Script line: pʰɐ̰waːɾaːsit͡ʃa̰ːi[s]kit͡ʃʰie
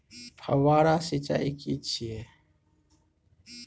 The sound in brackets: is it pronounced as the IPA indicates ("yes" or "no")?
no